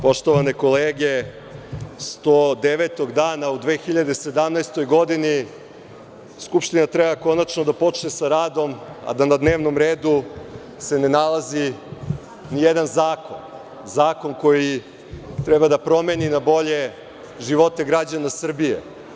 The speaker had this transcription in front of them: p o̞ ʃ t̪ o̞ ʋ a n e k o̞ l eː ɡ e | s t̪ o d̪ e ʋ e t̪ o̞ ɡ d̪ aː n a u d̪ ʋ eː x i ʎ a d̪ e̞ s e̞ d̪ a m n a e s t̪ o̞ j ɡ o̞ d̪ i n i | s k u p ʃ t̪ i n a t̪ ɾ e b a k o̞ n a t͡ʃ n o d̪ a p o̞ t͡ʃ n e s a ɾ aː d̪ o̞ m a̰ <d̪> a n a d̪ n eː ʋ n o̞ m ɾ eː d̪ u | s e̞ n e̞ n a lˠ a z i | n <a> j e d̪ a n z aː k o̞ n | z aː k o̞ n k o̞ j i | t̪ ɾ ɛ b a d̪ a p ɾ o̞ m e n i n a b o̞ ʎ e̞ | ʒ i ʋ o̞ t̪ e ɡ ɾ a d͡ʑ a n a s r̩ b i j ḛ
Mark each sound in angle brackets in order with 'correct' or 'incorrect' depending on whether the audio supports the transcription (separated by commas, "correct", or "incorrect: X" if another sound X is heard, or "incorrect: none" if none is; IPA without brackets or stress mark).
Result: correct, incorrect: i